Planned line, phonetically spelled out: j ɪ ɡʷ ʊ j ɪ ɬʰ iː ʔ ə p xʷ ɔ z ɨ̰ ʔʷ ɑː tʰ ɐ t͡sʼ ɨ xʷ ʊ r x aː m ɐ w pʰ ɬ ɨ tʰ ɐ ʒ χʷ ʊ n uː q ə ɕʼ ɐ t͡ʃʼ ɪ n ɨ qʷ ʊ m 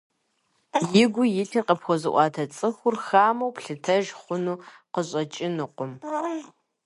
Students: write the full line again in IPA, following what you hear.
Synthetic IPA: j ɪ ɡʷ ʊ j ɪ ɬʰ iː q ə p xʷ ɔ z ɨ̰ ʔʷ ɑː tʰ ɐ t͡sʼ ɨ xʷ ʊ r x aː m ɐ w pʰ ɬ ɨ tʰ ɐ ʒ χʷ ʊ n uː q ə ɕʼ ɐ t͡ʃʼ ɪ n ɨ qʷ ʊ m